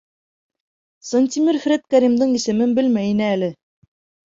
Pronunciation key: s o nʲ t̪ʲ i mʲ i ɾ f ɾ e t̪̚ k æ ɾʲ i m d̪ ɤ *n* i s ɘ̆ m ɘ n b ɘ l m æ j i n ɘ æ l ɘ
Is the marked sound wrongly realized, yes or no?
yes